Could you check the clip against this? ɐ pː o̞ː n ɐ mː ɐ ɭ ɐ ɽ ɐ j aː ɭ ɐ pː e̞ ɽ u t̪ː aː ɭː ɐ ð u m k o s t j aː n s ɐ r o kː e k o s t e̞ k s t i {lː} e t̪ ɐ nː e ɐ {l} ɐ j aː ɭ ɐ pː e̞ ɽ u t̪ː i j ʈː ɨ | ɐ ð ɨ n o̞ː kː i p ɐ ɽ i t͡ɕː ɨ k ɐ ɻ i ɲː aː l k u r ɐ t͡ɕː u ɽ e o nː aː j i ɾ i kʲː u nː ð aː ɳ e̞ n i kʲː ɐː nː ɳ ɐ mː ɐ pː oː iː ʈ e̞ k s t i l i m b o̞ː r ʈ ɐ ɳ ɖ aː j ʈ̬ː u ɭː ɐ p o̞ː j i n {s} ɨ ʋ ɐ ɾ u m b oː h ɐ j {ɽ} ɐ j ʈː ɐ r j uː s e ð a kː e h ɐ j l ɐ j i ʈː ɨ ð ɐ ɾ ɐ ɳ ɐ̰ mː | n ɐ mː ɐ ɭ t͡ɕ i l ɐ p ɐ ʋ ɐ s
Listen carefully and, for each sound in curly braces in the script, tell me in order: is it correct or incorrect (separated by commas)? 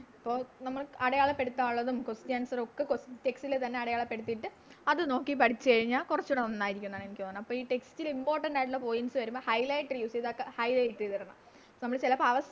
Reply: incorrect, incorrect, correct, incorrect